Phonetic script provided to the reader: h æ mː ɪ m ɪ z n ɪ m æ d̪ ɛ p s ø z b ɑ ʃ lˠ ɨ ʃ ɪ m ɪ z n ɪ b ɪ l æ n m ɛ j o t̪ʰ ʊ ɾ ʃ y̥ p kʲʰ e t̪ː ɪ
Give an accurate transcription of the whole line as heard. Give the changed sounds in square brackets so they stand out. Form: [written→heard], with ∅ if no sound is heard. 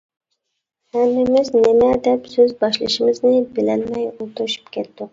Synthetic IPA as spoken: h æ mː ɪ m ɪ z n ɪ m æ d̪ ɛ p s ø z b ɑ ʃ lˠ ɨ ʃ ɪ m ɪ z n ɪ b ɪ l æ n m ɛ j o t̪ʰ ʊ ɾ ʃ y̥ p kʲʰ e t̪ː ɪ